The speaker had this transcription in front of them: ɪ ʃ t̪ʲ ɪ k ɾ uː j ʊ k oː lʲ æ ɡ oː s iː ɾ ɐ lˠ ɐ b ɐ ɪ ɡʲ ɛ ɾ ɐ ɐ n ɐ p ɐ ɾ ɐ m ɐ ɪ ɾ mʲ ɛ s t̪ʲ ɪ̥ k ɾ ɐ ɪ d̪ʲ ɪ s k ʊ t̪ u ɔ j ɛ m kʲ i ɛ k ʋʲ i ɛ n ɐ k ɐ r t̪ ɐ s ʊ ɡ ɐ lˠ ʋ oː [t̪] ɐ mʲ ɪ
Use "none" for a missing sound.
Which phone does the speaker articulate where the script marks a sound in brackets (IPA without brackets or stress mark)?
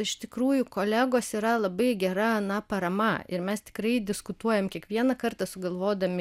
d̪